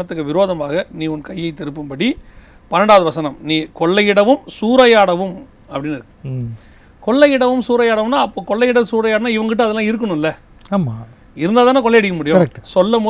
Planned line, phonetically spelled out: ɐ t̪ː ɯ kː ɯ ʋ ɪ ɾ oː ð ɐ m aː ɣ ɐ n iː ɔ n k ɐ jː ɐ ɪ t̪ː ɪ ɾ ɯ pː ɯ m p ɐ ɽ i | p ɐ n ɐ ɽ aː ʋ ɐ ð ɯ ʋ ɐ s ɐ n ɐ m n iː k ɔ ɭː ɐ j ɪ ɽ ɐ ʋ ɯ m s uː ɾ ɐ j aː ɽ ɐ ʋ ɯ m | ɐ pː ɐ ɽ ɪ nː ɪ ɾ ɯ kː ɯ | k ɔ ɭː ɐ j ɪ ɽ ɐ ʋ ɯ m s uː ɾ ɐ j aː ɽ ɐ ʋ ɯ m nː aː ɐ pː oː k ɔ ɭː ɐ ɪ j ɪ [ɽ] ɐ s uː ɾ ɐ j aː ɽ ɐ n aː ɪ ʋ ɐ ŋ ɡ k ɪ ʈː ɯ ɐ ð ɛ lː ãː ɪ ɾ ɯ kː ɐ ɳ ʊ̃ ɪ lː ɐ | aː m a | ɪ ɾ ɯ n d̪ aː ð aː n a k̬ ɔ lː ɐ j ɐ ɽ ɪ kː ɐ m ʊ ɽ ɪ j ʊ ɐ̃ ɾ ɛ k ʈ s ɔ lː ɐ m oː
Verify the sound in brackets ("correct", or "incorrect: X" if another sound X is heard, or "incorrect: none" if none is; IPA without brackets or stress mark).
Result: correct